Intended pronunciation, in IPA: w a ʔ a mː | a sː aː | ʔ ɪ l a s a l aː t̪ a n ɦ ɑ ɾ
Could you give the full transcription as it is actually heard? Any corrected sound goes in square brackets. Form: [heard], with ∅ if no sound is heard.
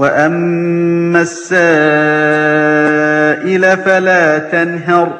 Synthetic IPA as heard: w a ʔ a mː | a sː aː | ʔ ɪ l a [f] a l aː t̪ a n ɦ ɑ ɾ